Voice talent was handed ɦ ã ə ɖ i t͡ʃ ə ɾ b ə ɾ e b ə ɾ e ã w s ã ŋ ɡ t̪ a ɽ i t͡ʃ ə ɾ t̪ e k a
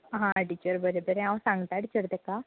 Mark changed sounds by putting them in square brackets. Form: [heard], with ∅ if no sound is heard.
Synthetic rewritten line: ɦ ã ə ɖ i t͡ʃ ə ɾ b ə ɾ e b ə ɾ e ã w s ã ŋ ɡ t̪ a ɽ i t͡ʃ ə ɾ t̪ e k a